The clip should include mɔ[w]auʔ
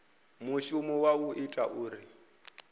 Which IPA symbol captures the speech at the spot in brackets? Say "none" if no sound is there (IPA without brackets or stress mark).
w